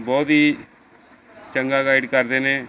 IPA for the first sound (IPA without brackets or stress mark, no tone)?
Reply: b